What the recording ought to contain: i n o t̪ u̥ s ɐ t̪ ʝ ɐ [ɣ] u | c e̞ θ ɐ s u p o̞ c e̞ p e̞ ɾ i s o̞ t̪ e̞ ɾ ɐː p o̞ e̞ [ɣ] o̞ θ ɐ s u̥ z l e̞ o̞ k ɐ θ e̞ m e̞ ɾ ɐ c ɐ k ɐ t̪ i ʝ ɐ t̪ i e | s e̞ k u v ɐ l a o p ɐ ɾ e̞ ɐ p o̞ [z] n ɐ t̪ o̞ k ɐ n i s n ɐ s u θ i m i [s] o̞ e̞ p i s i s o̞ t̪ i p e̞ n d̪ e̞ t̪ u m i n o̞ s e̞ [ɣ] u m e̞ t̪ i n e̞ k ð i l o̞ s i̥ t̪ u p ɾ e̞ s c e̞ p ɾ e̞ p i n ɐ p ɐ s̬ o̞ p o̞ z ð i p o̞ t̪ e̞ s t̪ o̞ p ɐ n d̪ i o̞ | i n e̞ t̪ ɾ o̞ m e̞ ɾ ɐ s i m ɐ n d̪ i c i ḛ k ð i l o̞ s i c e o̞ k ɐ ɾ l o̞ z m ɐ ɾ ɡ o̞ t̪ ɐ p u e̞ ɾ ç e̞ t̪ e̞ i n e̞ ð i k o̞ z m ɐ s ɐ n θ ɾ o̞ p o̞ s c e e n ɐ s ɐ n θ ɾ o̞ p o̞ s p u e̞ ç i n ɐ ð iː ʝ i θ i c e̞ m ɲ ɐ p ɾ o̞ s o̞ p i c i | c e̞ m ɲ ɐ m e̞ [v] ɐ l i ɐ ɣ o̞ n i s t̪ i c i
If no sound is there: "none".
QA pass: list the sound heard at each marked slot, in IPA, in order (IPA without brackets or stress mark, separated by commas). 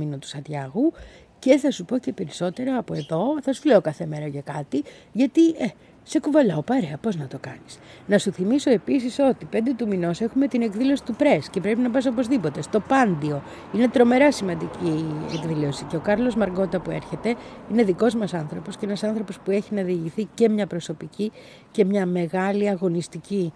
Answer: ɣ, ð, z, s, x, ɣ